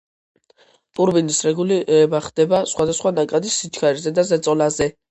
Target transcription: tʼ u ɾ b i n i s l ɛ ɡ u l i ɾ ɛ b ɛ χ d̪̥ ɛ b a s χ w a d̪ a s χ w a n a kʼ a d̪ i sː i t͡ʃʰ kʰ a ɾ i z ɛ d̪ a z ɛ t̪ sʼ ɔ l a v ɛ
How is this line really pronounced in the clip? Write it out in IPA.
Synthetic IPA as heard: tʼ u ɾ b i n i s ɾ ɛ ɡ u l i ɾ ɛ b a χ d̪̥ ɛ b a s χ w a d̪ a s χ w a n a kʼ a d̪ i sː i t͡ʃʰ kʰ a ɾ i z ɛ d̪ a z ɛ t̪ sʼ ɔ l a z ɛ